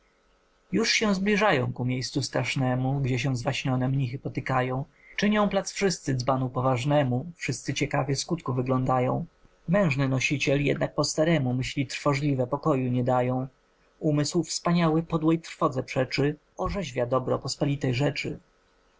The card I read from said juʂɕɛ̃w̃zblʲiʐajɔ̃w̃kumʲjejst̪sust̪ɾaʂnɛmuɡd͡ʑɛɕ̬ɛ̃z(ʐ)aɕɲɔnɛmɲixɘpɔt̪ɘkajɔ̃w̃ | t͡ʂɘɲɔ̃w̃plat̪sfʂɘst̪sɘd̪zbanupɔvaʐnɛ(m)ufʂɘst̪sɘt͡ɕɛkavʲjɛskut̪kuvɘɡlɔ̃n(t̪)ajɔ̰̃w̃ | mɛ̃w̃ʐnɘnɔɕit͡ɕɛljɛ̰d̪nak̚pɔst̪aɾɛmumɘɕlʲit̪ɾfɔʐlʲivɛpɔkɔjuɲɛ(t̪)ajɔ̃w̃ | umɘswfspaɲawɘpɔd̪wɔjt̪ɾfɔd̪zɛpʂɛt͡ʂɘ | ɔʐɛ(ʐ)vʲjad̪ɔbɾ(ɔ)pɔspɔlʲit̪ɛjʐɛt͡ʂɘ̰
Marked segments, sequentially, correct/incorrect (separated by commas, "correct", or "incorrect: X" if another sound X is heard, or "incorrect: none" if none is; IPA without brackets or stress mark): incorrect: v, correct, incorrect: d̪, incorrect: d̪, incorrect: ʑ, correct